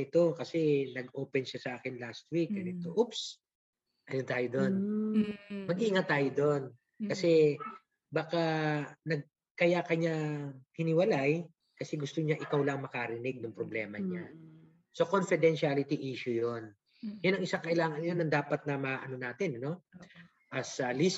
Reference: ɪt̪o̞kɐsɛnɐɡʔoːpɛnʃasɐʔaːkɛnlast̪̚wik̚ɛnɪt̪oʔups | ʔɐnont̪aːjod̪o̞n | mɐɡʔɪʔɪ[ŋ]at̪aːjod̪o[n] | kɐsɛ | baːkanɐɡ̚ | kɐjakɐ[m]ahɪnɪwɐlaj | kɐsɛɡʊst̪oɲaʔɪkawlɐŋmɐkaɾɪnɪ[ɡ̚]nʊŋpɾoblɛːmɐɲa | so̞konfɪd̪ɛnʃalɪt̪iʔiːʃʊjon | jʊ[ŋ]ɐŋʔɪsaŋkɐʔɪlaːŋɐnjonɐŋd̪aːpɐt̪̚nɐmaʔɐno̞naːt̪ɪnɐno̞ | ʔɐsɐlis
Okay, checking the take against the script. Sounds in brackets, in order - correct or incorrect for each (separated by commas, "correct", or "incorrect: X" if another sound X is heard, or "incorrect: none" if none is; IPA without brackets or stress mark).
correct, correct, incorrect: ɲ, correct, incorrect: n